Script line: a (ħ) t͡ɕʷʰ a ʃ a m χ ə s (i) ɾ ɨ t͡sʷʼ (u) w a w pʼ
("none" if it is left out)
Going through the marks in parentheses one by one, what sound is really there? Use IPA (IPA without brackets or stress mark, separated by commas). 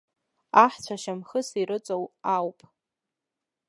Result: ħ, i, o